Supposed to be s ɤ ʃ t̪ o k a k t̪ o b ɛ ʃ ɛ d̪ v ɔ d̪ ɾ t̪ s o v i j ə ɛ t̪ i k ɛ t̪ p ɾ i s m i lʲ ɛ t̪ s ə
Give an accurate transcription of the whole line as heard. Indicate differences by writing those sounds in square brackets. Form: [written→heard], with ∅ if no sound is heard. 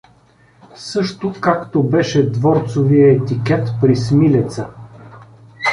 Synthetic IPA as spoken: s ɤ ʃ t̪ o k a k t̪ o b ɛ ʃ ɛ d̪ v ɔ [d̪→∅] ɾ t̪ s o v i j ə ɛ t̪ i k ɛ t̪ p ɾ i s m i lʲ ɛ t̪ s ə